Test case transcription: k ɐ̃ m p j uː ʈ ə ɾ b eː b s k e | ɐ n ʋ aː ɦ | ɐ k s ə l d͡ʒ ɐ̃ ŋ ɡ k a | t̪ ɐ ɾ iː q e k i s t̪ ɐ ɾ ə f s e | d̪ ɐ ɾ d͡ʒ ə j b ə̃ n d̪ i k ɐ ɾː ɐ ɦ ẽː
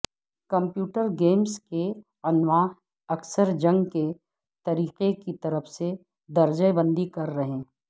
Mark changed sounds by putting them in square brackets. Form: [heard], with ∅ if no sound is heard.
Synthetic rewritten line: k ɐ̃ m p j uː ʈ ə ɾ [ɡ] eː [m] s k e | ɐ n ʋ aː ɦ | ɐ k s ə [ɾ] d͡ʒ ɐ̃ ŋ ɡ k [e] | t̪ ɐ ɾ iː q e k i [∅] t̪ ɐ ɾ ə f s e | d̪ ɐ ɾ d͡ʒ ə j b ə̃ n d̪ i k ɐ ɾː ɐ ɦ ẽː